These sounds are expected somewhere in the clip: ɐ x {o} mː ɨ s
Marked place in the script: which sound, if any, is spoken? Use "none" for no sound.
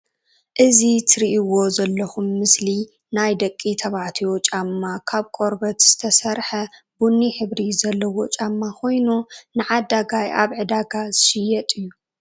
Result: u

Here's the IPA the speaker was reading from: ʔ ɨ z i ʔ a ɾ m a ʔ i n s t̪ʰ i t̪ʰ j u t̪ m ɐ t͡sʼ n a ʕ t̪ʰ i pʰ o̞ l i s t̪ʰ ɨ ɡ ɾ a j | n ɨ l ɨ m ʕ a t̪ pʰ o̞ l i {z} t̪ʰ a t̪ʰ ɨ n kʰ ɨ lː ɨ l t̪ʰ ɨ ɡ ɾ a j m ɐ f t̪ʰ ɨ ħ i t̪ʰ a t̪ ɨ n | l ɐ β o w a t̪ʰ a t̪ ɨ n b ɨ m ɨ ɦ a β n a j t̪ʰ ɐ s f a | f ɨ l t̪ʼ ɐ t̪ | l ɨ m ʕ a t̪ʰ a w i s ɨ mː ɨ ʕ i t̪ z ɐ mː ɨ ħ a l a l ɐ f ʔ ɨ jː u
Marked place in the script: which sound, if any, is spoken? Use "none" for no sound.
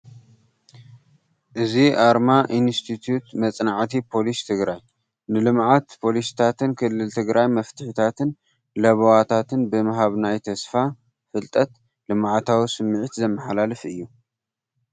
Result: s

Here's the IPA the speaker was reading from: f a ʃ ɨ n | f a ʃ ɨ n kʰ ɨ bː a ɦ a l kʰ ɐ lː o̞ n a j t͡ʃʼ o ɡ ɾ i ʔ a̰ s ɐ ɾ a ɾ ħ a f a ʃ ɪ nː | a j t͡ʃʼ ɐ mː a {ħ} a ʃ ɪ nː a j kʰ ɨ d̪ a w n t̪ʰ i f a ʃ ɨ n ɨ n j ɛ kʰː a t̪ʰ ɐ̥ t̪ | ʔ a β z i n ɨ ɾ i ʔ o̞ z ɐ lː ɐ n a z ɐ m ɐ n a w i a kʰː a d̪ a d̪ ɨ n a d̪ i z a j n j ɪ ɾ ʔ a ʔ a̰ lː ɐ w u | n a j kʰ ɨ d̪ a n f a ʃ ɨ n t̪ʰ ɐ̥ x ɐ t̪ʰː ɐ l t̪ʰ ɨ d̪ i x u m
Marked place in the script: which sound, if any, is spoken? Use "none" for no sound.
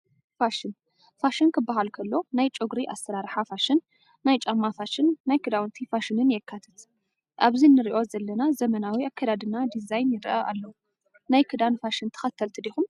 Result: f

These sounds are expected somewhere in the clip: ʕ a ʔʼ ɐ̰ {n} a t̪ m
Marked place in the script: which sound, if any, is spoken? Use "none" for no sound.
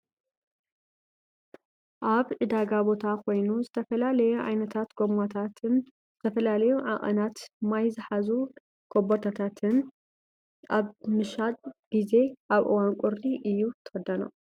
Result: n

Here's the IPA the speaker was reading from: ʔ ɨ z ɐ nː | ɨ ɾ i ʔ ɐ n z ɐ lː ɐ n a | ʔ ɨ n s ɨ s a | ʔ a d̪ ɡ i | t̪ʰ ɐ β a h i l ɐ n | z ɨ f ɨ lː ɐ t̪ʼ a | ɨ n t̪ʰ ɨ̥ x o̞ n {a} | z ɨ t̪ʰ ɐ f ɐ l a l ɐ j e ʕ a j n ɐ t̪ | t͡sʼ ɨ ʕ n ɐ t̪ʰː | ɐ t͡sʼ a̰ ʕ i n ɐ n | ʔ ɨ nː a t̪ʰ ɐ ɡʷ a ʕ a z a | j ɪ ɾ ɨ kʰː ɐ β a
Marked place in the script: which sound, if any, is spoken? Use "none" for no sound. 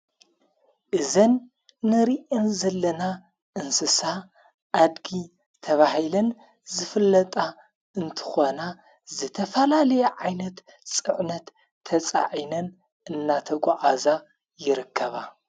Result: a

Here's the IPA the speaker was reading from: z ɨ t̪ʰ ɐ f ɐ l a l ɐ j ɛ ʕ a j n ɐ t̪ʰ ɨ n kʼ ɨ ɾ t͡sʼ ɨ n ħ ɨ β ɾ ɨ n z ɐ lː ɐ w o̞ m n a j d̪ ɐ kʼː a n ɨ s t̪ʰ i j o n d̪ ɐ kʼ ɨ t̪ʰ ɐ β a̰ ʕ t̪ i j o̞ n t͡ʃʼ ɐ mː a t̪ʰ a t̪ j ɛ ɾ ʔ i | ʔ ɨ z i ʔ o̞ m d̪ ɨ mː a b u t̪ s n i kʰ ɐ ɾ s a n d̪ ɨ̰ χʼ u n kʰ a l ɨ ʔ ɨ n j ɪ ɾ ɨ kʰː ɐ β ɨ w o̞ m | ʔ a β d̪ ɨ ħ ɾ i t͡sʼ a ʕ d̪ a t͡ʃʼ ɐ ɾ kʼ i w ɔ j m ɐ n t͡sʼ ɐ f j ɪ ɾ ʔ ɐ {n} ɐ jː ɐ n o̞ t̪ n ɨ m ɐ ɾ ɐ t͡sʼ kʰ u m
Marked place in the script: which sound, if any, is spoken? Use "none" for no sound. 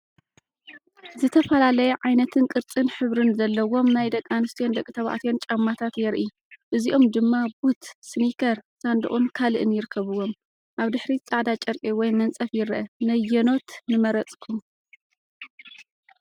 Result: n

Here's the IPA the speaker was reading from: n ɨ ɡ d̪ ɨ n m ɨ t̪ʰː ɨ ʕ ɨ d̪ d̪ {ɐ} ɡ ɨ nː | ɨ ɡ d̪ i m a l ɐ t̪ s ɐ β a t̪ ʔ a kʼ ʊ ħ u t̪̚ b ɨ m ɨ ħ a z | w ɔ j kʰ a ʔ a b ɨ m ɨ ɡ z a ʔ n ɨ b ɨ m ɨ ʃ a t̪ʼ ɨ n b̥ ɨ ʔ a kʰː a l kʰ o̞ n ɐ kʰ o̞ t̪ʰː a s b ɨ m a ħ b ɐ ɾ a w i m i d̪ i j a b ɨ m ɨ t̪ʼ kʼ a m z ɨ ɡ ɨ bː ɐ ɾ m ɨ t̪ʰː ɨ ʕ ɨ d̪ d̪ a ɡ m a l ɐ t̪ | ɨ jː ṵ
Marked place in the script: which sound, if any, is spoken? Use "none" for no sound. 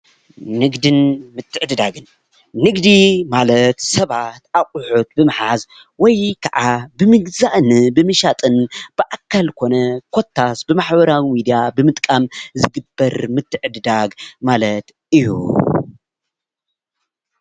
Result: a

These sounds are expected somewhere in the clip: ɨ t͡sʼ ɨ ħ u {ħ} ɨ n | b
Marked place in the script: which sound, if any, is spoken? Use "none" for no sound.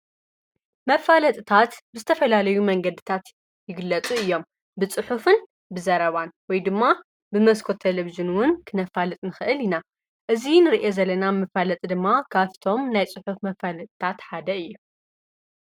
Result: f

